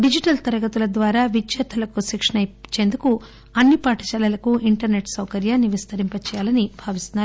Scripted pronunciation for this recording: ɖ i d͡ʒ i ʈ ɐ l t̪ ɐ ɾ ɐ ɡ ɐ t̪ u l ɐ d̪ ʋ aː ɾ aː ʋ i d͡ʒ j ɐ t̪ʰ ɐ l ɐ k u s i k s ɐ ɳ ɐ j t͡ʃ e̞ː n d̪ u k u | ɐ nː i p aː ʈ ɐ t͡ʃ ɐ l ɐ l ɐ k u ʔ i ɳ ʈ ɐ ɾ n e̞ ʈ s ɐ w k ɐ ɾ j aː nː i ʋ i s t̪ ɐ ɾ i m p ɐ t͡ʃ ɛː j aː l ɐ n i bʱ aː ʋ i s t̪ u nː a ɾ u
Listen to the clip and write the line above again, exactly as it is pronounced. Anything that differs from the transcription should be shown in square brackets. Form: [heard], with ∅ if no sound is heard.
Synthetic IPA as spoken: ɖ i d͡ʒ i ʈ ɐ l t̪ ɐ ɾ ɐ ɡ ɐ t̪ u l ɐ d̪ ʋ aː ɾ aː ʋ i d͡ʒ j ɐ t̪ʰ ɐ l ɐ k u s i k [ʂ] ɐ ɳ ɐ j t͡ʃ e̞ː n d̪ u k u | ɐ nː i p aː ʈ ɐ t͡ʃ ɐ l ɐ l ɐ k u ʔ i ɳ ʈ ɐ ɾ n e̞ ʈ s ɐ w k ɐ ɾ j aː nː i ʋ i s t̪ ɐ ɾ i m p ɐ t͡ʃ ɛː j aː l ɐ n i bʱ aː ʋ i s t̪ u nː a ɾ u

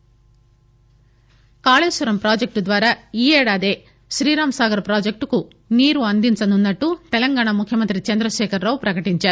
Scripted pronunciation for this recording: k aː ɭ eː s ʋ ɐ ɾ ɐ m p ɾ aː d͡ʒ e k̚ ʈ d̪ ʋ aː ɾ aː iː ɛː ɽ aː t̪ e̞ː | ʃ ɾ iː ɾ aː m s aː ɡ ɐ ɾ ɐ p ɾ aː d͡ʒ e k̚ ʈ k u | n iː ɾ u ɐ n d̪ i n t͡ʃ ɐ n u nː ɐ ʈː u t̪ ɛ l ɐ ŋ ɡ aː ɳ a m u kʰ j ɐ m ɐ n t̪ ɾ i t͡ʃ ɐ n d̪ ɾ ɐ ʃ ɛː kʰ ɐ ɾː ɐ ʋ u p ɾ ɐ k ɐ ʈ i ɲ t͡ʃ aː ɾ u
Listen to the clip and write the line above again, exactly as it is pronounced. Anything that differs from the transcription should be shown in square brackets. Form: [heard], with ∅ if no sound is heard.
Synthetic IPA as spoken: k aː ɭ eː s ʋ ɐ ɾ ɐ m p ɾ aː d͡ʒ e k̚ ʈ d̪ ʋ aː ɾ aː iː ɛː ɽ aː [d̪] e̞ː | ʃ ɾ iː ɾ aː m s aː ɡ ɐ ɾ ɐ p ɾ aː d͡ʒ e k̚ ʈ k u | n iː ɾ u ɐ n d̪ i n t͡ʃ ɐ n u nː ɐ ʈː u t̪ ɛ l ɐ ŋ ɡ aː ɳ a m u kʰ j ɐ m ɐ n t̪ ɾ i t͡ʃ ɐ n d̪ ɾ ɐ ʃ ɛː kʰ ɐ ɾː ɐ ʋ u p ɾ ɐ k ɐ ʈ i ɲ t͡ʃ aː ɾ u

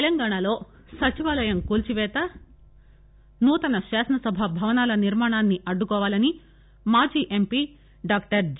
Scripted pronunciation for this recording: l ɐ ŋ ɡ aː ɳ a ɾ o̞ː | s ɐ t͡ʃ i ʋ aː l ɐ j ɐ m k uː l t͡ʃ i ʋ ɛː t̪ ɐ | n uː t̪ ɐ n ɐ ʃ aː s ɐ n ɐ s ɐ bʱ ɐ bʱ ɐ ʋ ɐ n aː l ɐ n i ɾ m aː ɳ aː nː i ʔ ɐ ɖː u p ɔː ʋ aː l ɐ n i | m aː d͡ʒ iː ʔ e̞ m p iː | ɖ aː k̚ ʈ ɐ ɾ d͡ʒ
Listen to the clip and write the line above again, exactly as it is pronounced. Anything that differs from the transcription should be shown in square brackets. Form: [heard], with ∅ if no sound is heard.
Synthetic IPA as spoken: l ɐ ŋ ɡ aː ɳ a [l] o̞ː | s ɐ t͡ʃ i ʋ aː l ɐ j ɐ m k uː l t͡ʃ i ʋ ɛː t̪ ɐ | n uː t̪ ɐ n ɐ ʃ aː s ɐ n ɐ s ɐ bʱ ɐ bʱ ɐ ʋ ɐ n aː l ɐ n i ɾ m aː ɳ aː nː i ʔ ɐ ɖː u [k] ɔː ʋ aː l ɐ n i | m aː d͡ʒ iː ʔ e̞ m p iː | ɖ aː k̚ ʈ ɐ ɾ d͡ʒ

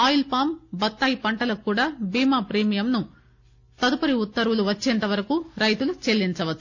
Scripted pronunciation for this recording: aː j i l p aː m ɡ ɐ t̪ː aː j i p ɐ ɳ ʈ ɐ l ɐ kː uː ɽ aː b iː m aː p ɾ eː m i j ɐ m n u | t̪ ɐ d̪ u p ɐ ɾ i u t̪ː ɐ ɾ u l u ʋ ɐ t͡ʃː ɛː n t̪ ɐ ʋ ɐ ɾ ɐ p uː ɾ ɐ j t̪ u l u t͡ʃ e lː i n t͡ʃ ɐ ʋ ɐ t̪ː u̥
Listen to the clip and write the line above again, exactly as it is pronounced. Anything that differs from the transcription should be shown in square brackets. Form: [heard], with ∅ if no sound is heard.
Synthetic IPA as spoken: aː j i l p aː m [b] ɐ t̪ː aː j i p ɐ ɳ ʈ ɐ l ɐ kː uː ɽ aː b iː m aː p ɾ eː m i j ɐ m n u | t̪ ɐ d̪ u p ɐ ɾ i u t̪ː ɐ ɾ u l u ʋ ɐ t͡ʃː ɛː n t̪ ɐ ʋ ɐ ɾ ɐ [k] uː ɾ ɐ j t̪ u l u t͡ʃ e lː i n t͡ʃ ɐ ʋ ɐ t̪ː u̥

